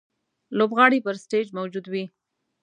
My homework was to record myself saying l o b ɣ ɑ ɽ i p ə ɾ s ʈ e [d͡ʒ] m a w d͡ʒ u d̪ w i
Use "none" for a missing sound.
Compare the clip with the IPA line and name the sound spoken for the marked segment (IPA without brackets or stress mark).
d͡ʒ